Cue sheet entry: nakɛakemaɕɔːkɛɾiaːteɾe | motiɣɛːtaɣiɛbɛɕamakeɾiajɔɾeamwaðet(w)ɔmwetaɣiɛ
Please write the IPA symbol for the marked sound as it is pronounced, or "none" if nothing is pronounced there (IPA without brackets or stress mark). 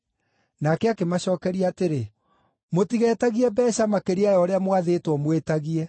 w